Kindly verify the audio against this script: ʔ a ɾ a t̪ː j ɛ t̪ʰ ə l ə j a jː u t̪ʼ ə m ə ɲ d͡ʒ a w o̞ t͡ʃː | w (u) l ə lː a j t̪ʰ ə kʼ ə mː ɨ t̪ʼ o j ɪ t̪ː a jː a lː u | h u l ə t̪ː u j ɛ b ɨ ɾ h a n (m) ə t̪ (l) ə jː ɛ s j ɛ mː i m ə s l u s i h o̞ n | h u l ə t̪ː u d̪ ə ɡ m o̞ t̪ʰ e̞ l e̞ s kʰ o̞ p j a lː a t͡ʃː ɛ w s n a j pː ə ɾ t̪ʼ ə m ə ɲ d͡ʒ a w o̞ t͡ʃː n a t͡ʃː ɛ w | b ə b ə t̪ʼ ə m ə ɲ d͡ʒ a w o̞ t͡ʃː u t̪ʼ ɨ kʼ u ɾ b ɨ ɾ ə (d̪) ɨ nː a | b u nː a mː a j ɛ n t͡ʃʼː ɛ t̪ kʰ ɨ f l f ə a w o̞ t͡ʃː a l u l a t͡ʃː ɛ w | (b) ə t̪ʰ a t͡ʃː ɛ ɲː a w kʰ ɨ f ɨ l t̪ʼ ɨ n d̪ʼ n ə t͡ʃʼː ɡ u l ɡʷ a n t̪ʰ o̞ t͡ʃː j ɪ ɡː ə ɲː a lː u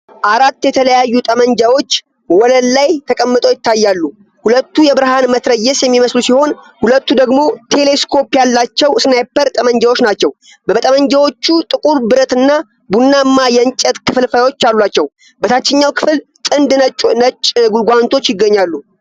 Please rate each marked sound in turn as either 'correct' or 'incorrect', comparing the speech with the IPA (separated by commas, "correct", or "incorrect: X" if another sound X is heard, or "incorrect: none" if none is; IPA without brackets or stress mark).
incorrect: ɔ, correct, incorrect: ɾ, incorrect: t̪, correct